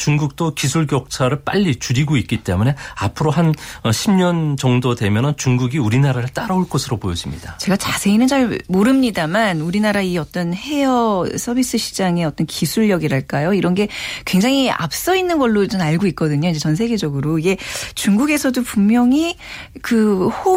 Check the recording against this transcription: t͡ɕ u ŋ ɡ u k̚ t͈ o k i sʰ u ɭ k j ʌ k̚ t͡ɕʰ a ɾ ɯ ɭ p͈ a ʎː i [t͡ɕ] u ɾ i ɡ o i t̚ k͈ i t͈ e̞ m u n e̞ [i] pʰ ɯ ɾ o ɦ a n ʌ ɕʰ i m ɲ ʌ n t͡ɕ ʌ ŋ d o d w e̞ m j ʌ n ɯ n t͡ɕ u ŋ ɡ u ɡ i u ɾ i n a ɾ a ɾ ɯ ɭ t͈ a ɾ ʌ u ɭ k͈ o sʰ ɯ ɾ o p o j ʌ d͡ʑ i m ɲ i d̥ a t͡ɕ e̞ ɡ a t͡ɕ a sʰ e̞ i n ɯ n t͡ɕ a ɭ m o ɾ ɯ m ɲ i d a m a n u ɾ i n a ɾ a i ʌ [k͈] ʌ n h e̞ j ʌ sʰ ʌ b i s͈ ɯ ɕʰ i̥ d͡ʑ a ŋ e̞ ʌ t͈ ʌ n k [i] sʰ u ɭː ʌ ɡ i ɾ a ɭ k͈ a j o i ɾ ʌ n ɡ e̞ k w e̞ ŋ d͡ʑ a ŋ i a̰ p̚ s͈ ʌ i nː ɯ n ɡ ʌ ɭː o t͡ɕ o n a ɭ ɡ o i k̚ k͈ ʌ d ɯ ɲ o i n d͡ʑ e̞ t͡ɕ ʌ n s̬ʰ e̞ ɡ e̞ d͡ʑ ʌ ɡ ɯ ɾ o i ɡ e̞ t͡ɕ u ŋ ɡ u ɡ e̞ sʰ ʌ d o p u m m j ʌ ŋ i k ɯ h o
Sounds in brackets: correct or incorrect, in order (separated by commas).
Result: correct, incorrect, incorrect, correct